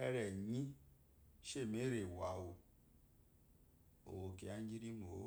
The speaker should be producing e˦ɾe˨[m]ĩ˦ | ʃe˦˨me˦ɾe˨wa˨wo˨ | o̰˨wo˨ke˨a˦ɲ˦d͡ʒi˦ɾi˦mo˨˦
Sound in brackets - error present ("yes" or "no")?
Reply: yes